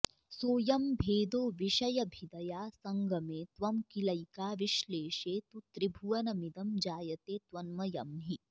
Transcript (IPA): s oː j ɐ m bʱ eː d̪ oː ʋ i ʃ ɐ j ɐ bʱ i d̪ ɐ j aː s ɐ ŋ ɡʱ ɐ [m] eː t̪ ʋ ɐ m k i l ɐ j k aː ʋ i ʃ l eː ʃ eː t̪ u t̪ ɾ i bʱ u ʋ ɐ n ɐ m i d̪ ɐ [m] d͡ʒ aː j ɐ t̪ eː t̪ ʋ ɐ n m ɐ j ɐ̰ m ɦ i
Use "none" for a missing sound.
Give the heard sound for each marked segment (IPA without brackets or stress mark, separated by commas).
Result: m, m